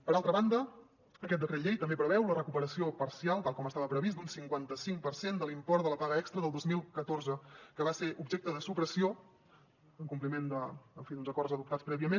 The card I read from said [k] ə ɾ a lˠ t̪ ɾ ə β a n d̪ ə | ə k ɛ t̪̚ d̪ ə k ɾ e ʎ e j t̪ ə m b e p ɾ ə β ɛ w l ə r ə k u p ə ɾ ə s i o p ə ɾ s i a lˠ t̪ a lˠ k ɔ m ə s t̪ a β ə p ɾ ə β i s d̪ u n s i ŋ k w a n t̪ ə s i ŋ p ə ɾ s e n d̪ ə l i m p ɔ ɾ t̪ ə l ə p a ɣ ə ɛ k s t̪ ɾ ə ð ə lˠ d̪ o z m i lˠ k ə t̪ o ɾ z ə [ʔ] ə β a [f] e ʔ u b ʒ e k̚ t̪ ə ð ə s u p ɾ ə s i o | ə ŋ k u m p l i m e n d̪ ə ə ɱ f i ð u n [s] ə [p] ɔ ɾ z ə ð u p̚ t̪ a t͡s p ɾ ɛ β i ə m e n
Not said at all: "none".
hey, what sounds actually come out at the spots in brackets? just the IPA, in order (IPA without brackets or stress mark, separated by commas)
p, k, s, z, k